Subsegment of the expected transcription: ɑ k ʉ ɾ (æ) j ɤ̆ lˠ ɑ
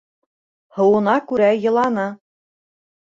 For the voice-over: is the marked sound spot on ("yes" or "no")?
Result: yes